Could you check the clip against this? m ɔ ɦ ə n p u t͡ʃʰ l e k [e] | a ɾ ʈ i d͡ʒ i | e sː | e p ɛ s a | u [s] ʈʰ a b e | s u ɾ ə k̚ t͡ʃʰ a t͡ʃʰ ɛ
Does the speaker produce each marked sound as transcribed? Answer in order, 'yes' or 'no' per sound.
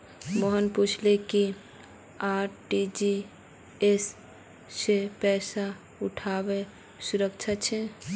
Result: no, no

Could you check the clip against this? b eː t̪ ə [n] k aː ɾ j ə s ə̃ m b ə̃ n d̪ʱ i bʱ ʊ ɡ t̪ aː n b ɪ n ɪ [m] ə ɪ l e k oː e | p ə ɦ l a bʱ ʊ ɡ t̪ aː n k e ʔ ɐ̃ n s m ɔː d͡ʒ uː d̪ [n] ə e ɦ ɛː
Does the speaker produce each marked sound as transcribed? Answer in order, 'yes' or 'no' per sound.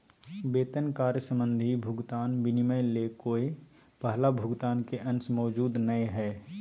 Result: yes, yes, yes

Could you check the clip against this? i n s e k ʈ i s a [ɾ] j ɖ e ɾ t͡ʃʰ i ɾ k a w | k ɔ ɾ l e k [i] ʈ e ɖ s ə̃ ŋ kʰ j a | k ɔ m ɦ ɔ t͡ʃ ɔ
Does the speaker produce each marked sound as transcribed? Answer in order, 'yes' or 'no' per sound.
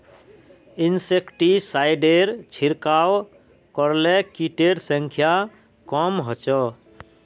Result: no, yes

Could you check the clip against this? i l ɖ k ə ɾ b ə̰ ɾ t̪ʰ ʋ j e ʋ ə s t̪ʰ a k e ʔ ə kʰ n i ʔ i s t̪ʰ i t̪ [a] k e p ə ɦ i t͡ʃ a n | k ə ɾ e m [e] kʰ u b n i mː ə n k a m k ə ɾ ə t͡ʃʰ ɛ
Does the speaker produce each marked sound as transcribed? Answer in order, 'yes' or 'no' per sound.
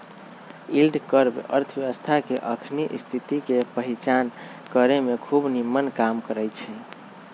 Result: no, yes

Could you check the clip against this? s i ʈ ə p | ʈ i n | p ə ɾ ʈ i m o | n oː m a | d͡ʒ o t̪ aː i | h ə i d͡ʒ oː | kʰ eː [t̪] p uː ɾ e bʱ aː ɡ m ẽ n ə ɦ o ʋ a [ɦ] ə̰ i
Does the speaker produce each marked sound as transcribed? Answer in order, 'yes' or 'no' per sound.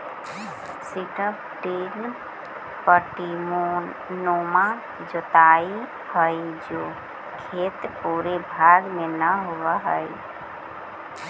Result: yes, yes

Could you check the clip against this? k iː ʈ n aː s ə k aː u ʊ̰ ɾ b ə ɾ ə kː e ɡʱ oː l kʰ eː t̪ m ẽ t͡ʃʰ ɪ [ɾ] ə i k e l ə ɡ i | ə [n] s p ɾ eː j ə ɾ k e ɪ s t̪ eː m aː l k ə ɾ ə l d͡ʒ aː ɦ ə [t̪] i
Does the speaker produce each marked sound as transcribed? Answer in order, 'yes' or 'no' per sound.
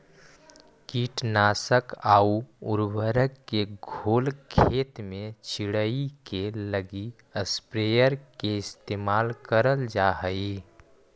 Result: no, no, no

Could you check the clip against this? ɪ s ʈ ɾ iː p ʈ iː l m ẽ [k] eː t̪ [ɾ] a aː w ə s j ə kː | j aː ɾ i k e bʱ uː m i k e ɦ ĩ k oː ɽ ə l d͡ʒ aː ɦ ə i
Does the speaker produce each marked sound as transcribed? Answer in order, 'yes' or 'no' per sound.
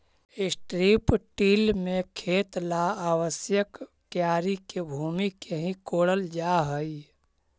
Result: no, no

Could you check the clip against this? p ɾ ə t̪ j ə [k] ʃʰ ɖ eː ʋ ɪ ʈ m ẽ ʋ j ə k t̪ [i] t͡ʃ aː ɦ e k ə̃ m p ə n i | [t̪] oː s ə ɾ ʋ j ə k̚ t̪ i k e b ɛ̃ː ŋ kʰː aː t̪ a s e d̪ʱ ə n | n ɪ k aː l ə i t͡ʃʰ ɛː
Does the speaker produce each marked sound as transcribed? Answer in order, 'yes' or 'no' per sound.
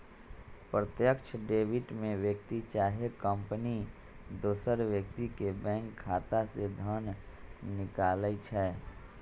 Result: yes, yes, no

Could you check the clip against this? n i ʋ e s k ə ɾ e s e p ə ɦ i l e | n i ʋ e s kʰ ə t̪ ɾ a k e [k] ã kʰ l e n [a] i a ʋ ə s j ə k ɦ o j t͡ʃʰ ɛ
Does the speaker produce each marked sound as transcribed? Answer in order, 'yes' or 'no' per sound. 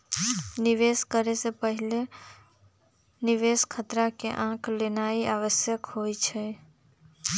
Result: no, yes

